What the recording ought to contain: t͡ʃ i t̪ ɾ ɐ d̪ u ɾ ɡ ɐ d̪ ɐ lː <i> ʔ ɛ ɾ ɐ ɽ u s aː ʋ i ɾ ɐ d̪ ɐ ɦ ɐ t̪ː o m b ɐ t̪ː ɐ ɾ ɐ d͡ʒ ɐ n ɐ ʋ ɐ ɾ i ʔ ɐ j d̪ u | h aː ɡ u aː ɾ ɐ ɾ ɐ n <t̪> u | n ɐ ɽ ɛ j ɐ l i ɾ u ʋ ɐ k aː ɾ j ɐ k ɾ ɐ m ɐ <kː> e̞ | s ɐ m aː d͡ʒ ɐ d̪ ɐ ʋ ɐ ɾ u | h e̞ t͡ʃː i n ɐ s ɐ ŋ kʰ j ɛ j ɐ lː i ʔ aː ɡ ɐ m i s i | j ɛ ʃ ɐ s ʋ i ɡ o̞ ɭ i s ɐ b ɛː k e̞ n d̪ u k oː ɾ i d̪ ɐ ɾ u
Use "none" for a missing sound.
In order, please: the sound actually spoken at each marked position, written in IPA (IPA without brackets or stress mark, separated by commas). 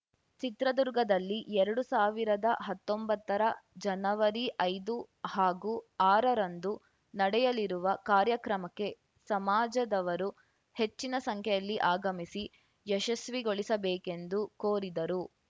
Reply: i, d̪, kː